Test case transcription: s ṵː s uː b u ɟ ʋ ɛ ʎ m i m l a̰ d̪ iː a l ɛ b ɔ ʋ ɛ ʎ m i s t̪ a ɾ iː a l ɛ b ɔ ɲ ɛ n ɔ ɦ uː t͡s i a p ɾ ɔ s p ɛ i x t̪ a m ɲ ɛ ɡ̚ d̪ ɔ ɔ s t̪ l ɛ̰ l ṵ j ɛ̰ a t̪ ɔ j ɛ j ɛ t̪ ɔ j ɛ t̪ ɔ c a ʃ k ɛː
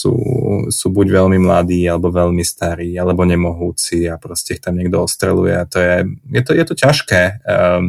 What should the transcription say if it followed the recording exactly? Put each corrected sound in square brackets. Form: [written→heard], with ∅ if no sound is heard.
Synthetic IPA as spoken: s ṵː s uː b u ɟ ʋ ɛ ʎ m i m l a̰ d̪ iː a l ɛ b ɔ ʋ ɛ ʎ m i s t̪ a ɾ iː a l ɛ b ɔ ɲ ɛ [n→m] ɔ ɦ uː t͡s i a p ɾ ɔ s [p→c] ɛ i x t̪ a m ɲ ɛ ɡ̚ d̪ ɔ ɔ s t̪ [l→ɾ] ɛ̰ l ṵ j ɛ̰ a t̪ ɔ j ɛ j ɛ t̪ ɔ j ɛ t̪ ɔ c a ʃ k ɛː